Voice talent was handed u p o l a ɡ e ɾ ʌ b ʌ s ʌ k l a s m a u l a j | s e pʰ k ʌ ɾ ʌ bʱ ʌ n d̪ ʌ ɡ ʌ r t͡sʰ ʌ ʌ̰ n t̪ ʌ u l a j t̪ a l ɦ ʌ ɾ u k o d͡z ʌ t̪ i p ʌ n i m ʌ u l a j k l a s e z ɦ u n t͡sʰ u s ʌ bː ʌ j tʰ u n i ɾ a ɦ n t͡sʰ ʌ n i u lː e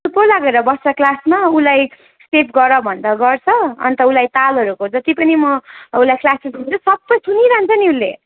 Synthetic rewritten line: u p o l a ɡ e ɾ ʌ b ʌ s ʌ k l a s m a u l a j | s e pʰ ɡ ʌ ɾ ʌ bʱ ʌ n d̪ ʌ ɡ ʌ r t͡sʰ ʌ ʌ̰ n t̪ ʌ u l a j t̪ a l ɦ ʌ ɾ u k o d͡z ʌ t̪ i p ʌ n i m ʌ u l a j k l a s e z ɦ u n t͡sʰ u s ʌ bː ʌ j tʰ u n i ɾ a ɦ n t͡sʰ ʌ n i u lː e